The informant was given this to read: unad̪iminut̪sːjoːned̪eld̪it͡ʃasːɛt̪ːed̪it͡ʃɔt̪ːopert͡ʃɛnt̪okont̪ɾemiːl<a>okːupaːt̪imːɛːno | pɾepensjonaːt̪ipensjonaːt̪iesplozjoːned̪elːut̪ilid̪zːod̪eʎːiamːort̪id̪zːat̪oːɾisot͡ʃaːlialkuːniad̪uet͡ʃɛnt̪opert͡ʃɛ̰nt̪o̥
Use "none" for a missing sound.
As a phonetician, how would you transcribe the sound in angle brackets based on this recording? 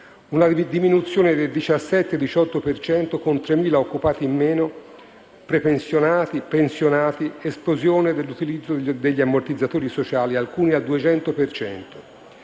a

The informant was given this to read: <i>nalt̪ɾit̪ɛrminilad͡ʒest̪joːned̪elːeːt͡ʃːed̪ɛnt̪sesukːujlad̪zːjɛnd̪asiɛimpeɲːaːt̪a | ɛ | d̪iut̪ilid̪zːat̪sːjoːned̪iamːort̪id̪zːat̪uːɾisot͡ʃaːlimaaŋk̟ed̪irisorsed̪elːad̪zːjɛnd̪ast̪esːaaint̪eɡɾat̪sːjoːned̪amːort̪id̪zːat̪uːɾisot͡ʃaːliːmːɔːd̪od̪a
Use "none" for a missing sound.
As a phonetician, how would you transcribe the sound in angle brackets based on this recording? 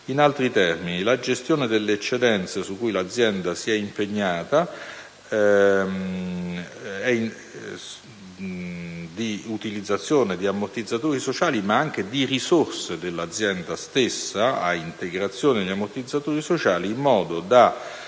i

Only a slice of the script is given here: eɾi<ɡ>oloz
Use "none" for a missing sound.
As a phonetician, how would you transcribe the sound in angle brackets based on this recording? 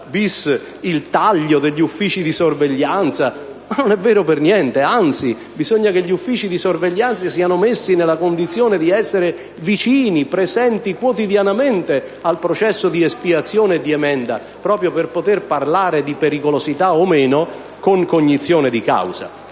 k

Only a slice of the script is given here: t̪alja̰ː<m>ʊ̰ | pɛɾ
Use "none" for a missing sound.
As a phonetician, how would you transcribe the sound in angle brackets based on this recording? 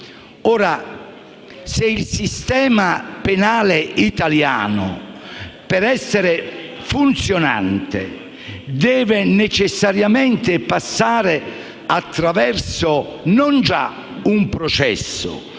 n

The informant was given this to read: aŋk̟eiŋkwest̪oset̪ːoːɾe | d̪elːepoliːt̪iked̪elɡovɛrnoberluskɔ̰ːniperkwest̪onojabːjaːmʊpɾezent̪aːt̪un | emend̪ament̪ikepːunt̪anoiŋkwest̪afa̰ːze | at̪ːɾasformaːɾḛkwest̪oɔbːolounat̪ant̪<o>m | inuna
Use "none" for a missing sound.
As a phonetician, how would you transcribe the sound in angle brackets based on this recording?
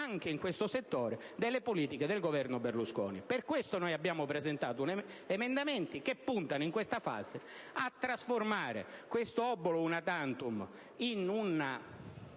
u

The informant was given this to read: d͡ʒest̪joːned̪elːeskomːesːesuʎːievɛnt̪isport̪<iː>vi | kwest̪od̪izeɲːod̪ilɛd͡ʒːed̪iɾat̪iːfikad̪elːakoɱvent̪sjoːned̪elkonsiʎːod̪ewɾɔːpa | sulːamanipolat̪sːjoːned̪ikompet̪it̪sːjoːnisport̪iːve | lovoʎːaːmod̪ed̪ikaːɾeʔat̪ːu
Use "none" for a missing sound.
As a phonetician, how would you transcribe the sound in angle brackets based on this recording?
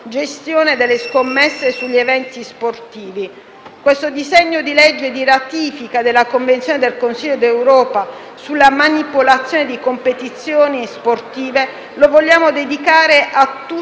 iː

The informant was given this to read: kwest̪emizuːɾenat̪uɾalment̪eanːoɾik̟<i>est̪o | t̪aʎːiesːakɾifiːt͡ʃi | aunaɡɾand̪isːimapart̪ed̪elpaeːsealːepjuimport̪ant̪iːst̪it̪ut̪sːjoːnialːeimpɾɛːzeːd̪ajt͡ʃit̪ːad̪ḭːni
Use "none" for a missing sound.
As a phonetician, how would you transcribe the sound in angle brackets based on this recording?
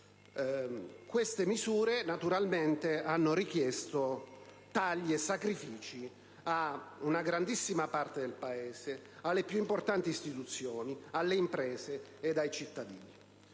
j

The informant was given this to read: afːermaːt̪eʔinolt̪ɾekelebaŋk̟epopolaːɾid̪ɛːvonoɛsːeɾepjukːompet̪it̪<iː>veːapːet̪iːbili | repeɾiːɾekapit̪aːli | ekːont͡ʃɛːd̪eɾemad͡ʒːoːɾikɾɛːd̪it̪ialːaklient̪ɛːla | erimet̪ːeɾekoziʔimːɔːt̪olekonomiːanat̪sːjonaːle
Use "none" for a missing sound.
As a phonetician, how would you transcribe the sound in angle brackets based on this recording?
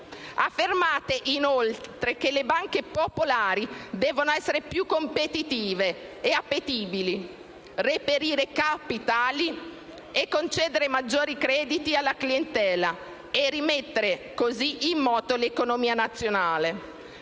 iː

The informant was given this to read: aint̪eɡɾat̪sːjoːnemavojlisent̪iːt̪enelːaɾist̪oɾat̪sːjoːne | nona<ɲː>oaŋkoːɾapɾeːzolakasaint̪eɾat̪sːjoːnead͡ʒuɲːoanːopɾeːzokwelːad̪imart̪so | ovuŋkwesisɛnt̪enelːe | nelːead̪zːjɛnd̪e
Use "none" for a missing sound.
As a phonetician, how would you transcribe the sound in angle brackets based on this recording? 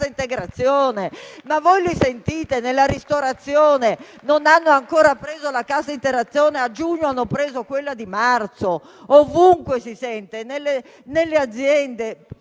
nː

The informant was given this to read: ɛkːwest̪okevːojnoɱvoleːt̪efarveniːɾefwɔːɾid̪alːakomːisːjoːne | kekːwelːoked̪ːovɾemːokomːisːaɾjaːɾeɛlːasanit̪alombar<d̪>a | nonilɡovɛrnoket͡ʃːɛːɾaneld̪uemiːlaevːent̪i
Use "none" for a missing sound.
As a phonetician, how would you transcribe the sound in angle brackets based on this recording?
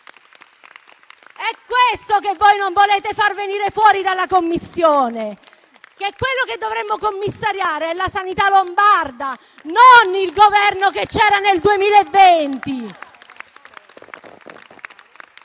d̪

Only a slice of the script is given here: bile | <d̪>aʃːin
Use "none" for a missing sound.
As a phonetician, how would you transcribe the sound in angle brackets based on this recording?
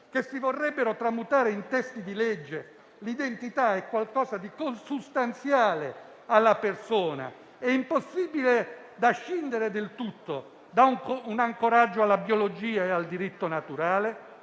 d̪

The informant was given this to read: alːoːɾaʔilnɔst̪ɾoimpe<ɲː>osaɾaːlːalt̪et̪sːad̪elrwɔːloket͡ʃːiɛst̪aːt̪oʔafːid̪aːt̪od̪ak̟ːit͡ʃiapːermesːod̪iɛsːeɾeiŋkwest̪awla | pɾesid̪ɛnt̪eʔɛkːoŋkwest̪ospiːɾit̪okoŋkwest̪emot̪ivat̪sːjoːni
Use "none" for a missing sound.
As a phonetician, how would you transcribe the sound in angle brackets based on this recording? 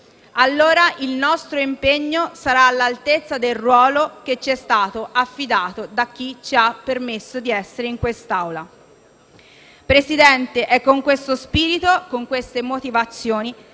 ɲː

